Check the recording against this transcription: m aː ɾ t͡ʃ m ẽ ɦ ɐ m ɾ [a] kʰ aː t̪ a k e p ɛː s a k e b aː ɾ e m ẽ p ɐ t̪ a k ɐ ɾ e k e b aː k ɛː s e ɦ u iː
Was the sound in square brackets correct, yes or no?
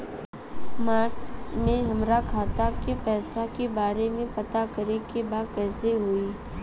yes